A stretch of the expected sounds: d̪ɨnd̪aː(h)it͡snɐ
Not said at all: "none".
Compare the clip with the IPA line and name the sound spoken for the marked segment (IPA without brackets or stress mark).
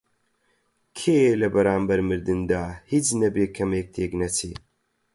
h